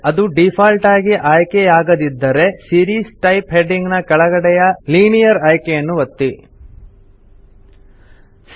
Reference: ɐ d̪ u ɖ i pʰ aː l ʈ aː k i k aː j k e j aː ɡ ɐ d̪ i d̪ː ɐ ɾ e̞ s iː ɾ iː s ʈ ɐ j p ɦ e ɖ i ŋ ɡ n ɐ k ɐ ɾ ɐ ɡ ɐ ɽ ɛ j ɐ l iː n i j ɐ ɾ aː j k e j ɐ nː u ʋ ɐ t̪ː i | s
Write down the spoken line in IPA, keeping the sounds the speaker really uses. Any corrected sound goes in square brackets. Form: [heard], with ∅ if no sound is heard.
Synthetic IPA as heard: ɐ d̪ u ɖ i pʰ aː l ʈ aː [ɡ] i [ʔ] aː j k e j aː ɡ ɐ d̪ i d̪ː ɐ ɾ e̞ s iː ɾ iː s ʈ ɐ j p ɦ e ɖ i ŋ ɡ n ɐ k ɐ [ɭ] ɐ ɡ ɐ ɽ ɛ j ɐ l iː n i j ɐ ɾ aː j k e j ɐ nː u ʋ ɐ t̪ː i | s